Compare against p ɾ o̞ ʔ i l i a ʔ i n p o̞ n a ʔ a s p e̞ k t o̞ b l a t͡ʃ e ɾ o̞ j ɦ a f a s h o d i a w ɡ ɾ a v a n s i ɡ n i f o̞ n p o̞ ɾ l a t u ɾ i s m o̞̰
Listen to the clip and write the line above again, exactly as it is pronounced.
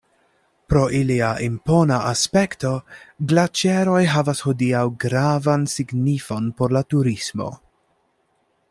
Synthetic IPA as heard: p ɾ o̞ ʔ i l i a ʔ i m p o̞ n a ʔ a s p e̞ k t o̞ ɡ l a t͡ʃ e ɾ o̞ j ɦ a v a s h o d i a w ɡ ɾ a v a n s i ɡ n i f o̞ n p o̞ ɾ l a t u ɾ i s m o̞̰

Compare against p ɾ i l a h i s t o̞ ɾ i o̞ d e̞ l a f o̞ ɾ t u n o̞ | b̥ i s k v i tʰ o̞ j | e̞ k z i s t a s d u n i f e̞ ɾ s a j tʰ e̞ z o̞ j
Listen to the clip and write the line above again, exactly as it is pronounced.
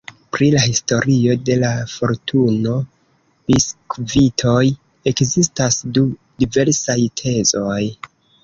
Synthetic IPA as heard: p ɾ i l a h i s t o̞ ɾ i o̞ d e̞ l a f o̞ ɾ t u n o̞ | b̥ i s k v i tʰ o̞ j | e̞ k z i s t a s d u d i v e̞ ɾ s a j tʰ e̞ z o̞ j

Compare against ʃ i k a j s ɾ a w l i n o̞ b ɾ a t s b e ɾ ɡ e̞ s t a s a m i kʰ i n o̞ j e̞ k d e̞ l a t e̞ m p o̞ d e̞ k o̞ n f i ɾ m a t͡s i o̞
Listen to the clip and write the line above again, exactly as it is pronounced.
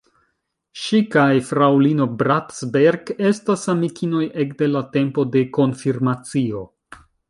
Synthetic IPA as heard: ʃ i k a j f ɾ a w l i n o̞ b ɾ a t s b e ɾ ɡ e̞ s t a s a m i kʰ i n o̞ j e̞ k d e̞ l a t e̞ m p o̞ d e̞ k o̞ n f i ɾ m a t͡s i o̞

